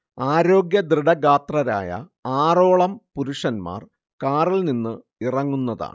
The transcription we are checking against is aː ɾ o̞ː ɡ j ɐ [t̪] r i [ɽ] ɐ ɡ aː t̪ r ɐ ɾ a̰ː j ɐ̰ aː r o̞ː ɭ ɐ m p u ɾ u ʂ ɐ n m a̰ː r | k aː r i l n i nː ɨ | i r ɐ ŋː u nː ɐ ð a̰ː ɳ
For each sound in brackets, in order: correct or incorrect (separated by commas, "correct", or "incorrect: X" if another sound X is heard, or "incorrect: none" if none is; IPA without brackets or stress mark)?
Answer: incorrect: d̪, correct